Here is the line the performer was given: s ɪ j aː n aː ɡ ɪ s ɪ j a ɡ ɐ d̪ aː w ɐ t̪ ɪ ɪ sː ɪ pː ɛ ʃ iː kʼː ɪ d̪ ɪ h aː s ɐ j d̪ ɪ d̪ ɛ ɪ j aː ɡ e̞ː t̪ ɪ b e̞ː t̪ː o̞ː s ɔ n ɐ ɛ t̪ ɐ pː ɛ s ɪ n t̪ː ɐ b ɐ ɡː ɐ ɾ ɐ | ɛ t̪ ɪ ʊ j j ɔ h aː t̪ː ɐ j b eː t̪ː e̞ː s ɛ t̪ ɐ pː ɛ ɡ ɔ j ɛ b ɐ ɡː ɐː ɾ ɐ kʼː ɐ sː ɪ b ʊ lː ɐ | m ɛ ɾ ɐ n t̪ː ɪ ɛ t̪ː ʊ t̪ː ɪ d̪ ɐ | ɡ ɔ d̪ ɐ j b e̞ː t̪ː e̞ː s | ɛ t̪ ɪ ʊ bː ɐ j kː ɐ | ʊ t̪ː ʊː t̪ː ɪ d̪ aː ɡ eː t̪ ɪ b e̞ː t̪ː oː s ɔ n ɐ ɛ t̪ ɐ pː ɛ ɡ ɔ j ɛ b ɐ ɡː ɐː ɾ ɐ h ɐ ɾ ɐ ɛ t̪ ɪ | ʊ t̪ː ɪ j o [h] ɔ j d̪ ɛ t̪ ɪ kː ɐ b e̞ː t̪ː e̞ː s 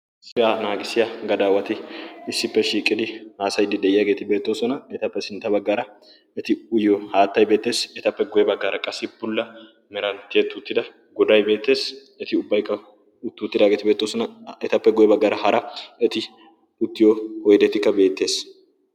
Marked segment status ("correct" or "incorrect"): correct